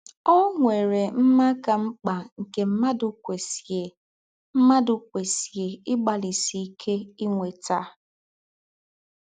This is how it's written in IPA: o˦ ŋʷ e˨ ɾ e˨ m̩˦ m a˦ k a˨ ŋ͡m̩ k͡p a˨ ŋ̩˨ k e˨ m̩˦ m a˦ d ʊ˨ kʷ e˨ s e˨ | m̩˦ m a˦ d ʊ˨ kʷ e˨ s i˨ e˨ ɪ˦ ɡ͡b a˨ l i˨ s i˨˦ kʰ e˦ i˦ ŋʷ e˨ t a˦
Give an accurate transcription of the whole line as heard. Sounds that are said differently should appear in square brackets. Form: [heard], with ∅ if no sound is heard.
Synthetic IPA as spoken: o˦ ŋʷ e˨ ɾ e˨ m̩˦ m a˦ k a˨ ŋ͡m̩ k͡p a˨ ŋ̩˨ k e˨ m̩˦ m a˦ d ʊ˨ kʷ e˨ s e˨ | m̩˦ m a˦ d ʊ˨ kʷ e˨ s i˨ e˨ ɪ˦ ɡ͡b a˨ l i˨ s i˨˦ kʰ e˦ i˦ ŋʷ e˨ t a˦